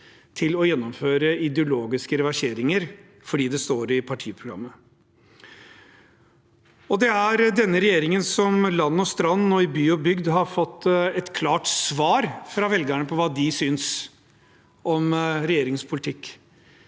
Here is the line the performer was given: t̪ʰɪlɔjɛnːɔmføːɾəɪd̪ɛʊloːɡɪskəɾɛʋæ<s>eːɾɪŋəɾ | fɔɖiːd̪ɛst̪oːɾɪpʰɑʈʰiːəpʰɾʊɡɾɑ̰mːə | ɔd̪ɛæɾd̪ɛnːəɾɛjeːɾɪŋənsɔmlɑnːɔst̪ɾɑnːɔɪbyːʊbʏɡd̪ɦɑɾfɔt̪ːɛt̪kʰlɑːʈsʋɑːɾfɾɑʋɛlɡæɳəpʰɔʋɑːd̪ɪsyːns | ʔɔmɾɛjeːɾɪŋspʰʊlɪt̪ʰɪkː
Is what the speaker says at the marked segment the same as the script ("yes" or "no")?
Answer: no